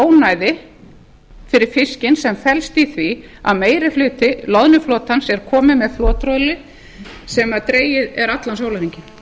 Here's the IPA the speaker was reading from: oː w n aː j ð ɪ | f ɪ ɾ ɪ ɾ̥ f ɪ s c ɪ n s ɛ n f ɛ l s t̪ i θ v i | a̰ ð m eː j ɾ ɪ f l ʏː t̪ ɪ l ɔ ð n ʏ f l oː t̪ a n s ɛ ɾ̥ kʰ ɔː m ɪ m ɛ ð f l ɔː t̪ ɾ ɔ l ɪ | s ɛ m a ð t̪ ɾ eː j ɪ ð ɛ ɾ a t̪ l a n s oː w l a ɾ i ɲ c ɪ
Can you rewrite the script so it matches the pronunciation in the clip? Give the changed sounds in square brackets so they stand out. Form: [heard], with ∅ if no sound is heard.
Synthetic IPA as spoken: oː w n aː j ð ɪ | f ɪ ɾ ɪ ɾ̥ f ɪ s c ɪ n s ɛ [m] f ɛ l s t̪ i θ v i | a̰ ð m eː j ɾ ɪ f l ʏː t̪ ɪ l ɔ ð n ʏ f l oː t̪ a n s ɛ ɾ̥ kʰ ɔː m ɪ m ɛ ð f l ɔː t̪ ɾ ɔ l ɪ | s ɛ m a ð t̪ ɾ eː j ɪ ð ɛ ɾ a t̪ l a n s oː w l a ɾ i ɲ c ɪ

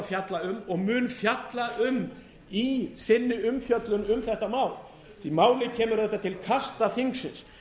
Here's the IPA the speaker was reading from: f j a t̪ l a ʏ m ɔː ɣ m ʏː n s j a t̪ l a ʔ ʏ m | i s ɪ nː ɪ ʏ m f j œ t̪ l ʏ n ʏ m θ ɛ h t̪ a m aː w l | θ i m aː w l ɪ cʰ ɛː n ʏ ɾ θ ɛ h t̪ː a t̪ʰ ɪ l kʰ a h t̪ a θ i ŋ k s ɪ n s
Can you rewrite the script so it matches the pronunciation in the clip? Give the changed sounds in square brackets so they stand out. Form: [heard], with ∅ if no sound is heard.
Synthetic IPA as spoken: f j a t̪ l a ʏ m [ɔ] ɣ m ʏː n [f] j a t̪ l a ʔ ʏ m | i s ɪ nː ɪ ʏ m f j œ t̪ l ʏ n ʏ m θ ɛ h t̪ a m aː w l | θ i m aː w l ɪ cʰ ɛː [m] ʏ ɾ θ ɛ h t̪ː a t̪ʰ ɪ l kʰ a [s] t̪ a θ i ŋ k s ɪ n s

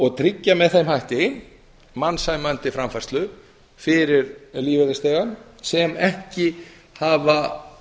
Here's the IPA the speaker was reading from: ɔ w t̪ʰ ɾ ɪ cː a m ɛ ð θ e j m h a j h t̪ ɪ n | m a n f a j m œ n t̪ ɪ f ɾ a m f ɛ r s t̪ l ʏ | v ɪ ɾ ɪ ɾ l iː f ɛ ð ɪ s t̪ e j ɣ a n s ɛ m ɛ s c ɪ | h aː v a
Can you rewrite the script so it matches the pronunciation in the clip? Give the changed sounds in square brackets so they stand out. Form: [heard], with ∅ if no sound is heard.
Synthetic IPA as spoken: ɔ [ɣ] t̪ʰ ɾ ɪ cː a m ɛ ð θ e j m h a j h t̪ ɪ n | m a n [s] a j m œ n t̪ ɪ f ɾ a m f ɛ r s t̪ l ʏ | [f] ɪ ɾ ɪ ɾ l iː [v] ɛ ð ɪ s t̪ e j ɣ a n s ɛ m ɛ [h] c ɪ | h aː v a

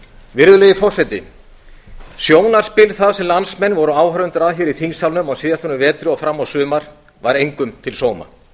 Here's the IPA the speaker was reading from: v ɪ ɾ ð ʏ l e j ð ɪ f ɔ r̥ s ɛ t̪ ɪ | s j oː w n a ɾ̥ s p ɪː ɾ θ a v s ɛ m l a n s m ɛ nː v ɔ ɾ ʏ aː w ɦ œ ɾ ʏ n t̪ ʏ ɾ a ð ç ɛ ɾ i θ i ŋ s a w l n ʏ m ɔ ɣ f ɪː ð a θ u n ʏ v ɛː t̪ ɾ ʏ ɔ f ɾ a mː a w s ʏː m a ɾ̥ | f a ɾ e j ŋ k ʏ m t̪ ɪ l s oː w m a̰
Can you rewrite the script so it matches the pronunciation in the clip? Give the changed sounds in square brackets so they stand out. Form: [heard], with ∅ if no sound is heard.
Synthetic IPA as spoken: v ɪ ɾ ð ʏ l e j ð ɪ f ɔ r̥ s ɛ t̪ ɪ | s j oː w n a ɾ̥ s p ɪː [l] θ a [ð] s ɛ m l a n s m ɛ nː v ɔ ɾ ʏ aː w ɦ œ ɾ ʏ n t̪ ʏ ɾ a ð ç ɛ ɾ i θ i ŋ s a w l n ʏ m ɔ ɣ [s] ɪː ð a θ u n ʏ v ɛː t̪ ɾ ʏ ɔ f ɾ a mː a w s ʏː m a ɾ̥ | [v] a ɾ e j ŋ k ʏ m [t̪ʰ] ɪ l s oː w m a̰

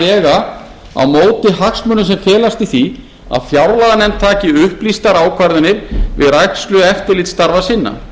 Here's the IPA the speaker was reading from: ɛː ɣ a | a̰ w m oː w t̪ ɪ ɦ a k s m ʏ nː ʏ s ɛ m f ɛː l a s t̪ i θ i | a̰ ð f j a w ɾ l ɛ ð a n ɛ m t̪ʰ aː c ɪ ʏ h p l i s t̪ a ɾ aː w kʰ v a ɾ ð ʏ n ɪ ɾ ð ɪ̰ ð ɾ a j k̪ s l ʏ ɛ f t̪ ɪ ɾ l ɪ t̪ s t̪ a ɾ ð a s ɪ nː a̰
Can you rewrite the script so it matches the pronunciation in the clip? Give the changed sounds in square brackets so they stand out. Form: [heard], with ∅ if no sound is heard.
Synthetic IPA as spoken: ɛː ɣ a | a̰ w m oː w t̪ ɪ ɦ a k s m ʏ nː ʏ s ɛ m f ɛː l a s t̪ i θ i | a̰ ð f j a w ɾ l [a] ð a n ɛ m t̪ʰ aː c ɪ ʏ h p l i s t̪ a ɾ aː w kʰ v a ɾ ð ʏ n ɪ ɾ [v] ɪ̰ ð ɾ a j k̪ s l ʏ ɛ f t̪ ɪ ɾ l ɪ t̪ s t̪ a ɾ [v] a s ɪ nː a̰

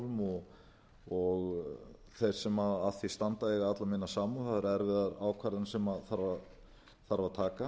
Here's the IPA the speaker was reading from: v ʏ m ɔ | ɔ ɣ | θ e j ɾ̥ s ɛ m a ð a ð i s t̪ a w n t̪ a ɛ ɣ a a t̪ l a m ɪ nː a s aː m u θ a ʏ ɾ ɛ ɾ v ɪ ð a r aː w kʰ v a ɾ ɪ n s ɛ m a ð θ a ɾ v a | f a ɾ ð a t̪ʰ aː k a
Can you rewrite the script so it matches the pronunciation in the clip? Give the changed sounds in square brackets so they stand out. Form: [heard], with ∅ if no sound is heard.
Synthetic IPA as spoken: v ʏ m ɔ | ɔ ɣ | θ e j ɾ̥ s ɛ m a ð a [θ] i s t̪ a [∅] n t̪ a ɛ ɣ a a t̪ l a m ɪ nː a s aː m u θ a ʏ ɾ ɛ ɾ v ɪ ð a [ɾ] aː w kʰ v a ɾ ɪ n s ɛ m a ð θ a ɾ v a | [θ] a ɾ [v] a t̪ʰ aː k a

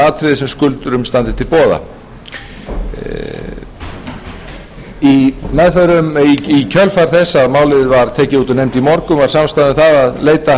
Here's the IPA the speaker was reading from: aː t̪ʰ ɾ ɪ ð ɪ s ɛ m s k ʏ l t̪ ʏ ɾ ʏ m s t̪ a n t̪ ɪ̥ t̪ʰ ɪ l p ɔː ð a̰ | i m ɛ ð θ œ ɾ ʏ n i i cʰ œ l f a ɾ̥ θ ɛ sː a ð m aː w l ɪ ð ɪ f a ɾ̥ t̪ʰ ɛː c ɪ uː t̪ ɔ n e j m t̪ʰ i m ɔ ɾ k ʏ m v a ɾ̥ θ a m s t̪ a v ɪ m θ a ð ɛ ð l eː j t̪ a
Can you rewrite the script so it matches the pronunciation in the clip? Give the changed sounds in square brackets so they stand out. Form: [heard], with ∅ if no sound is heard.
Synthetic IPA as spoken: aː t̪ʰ ɾ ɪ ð ɪ s ɛ m s k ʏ l t̪ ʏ ɾ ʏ m s t̪ a n t̪ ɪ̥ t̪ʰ ɪ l p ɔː ð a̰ | i m ɛ ð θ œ ɾ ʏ [m] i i cʰ œ l f a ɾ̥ θ ɛ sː a ð m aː w l ɪ ð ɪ [v] a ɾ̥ t̪ʰ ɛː c ɪ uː t̪ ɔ n e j m [t̪] i m ɔ ɾ k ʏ m v a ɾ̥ [s] a m s t̪ a [ð] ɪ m θ a ð [a] ð l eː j t̪ a

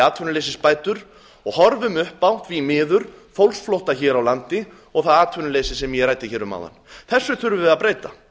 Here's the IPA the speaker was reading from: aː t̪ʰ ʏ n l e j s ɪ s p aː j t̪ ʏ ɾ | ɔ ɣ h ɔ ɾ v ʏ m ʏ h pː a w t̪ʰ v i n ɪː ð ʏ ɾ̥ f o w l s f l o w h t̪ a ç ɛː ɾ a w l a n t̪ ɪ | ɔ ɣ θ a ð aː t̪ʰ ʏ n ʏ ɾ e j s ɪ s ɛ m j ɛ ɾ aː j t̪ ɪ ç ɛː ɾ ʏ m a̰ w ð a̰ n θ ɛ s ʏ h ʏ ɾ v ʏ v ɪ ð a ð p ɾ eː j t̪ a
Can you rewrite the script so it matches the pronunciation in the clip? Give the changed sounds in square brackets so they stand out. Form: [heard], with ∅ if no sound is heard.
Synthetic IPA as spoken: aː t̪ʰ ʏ n l e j s ɪ s p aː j t̪ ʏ ɾ | ɔ ɣ h ɔ ɾ v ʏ m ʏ h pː a w [t̪] v i [m] ɪː ð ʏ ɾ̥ f o w l s f l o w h t̪ a ç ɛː ɾ a w l a n t̪ ɪ | ɔ ɣ θ a ð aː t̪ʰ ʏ n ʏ [l] e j s ɪ s ɛ m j ɛ ɾ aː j t̪ ɪ ç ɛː ɾ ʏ m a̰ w ð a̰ n θ ɛ [sː] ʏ [θ] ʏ ɾ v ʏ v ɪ ð a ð p ɾ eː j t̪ a

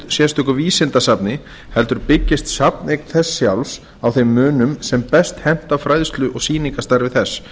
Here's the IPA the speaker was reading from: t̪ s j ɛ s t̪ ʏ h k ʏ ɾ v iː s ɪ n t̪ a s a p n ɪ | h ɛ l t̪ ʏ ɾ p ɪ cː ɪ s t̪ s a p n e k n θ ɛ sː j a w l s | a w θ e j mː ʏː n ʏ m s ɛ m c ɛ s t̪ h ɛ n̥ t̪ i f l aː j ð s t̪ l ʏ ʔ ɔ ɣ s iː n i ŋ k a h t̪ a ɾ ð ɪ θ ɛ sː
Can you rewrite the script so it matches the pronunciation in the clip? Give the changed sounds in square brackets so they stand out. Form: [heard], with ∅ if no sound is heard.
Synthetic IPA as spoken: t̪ s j ɛ s t̪ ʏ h k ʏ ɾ v iː s ɪ n t̪ a s a p n ɪ | h ɛ l t̪ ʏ ɾ p ɪ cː ɪ s t̪ s a p n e k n θ ɛ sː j a w l s | a w θ e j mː ʏː n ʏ m s ɛ m [p] ɛ s t̪ h ɛ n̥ t̪ [a] f [ɾ] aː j ð s t̪ l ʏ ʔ ɔ ɣ s iː n i ŋ k a [s] t̪ a ɾ [v] ɪ θ ɛ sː

